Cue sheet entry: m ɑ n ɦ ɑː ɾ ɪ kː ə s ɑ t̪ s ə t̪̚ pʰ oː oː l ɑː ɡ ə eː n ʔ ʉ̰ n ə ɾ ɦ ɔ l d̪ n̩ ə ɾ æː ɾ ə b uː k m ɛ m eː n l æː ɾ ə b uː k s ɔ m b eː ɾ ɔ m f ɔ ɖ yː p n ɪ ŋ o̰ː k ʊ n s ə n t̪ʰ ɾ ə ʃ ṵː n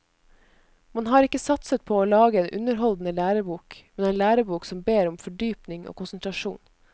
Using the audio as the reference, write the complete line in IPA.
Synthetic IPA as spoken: m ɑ n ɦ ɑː ɾ ɪ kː ə s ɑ t̪ s ə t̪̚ pʰ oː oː l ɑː ɡ ə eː n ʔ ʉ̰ n ə ɾ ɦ ɔ l d̪ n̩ ə l æː ɾ ə b uː k m ɛ n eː n l æː ɾ ə b uː k s ɔ m b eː ɾ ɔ m f ɔ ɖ yː p n ɪ ŋ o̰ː k ʊ n s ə n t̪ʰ ɾ ɑ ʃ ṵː n

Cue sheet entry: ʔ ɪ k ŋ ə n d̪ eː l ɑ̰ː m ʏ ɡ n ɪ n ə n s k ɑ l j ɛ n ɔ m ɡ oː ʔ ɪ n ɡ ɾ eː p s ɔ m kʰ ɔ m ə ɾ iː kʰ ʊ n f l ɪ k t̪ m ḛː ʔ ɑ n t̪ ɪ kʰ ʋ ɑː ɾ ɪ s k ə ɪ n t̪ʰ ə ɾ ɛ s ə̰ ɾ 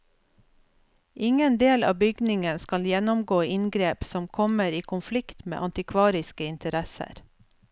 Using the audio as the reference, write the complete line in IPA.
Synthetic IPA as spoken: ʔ ɪ ŋ ə n d̪ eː l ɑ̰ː b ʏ ɡ n ɪ ŋ ə n s k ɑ l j ɛ n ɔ m ɡ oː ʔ ɪ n ɡ ɾ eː p s ɔ m kʰ ɔ m ə ɾ iː kʰ ʊ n f l ɪ k t̪ m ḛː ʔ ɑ n t̪ ɪ kʰ ʋ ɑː ɾ ɪ s k ə ɪ n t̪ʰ ə ɾ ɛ s ə̰ ɾ

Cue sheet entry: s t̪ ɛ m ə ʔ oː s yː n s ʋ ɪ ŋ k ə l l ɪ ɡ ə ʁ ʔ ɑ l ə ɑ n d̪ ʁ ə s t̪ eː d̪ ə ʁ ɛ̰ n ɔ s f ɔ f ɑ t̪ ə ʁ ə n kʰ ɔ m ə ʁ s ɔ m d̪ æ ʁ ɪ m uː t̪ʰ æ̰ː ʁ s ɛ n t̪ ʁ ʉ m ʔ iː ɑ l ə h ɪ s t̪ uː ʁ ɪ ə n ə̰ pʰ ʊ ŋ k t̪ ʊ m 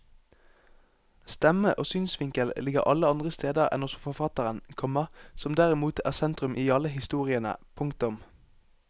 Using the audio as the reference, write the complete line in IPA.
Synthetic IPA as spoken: s t̪ ɛ m ə ʔ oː s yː n s ʋ ɪ ŋ k ə l l ɪ ɡ ə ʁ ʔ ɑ l ə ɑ n d̪ ʁ ə s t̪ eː d̪ ə ʁ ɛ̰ n ɔ s f ɔ f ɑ t̪ ə ʁ ə n kʰ ɔ m ə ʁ s ɔ m d̪ æ ʁ ɪ m uː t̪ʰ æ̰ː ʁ s ɛ n t̪ ʁ ʉ m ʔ iː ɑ l ə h ɪ s t̪ uː ʁ ɪ ə n ə̰ pʰ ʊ ŋ k t̪ ʊ m

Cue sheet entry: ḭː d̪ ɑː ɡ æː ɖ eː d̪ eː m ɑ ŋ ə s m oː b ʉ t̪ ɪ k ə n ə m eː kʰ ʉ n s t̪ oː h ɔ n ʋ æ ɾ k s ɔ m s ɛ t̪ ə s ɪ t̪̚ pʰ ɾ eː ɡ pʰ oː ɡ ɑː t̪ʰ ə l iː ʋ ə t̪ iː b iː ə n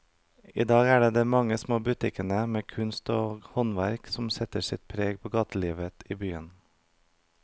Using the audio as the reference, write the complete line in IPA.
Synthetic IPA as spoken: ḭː d̪ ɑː ɡ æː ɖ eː d̪ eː m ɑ ŋ ə s m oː b ʉ t̪ ɪ k ə n ə m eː kʰ ʉ n s t̪ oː h ɔ n ʋ æ ɾ k s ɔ m s ɛ t̪ ə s ɪ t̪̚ pʰ ɾ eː ɡ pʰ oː ɡ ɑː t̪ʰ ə l iː ʋ ə t̪ iː b yː ə n

